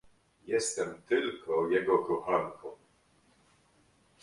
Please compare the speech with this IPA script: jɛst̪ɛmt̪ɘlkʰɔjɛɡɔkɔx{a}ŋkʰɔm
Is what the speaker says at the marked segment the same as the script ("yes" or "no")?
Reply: yes